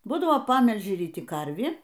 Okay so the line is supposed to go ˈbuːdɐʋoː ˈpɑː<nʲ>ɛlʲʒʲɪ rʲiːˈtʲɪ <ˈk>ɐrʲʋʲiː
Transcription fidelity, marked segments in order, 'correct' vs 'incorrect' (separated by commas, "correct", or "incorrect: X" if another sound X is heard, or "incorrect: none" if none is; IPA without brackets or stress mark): incorrect: mʲ, correct